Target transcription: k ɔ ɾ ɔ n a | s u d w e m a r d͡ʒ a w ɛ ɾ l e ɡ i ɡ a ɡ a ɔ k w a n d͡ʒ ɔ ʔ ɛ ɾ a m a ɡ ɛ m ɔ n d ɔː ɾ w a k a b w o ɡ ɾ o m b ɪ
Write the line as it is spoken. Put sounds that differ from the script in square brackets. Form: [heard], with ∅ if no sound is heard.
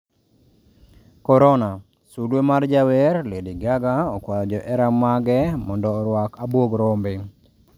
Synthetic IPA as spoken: k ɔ ɾ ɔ n a | s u d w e m a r d͡ʒ a w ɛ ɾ l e [d] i ɡ a ɡ a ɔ k w a [∅] d͡ʒ ɔ ʔ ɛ ɾ a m a ɡ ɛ m ɔ n d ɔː ɾ w a k a b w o ɡ ɾ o m b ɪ